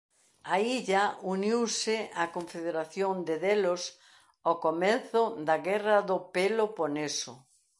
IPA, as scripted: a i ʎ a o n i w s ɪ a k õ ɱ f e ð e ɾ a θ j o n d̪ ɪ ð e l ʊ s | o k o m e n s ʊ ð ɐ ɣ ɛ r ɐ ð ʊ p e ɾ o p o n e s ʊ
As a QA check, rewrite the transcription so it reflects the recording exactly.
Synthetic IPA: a i ʎ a u n i w s ɪ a k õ ɱ f e ð e ɾ a θ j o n d̪ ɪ ð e l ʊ s | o k o m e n θ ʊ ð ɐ ɣ ɛ r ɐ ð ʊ p e l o p o n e s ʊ